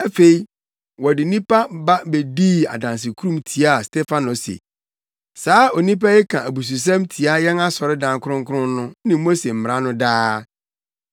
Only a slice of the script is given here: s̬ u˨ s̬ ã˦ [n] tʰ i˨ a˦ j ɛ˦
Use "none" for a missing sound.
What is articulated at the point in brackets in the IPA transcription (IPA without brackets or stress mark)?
m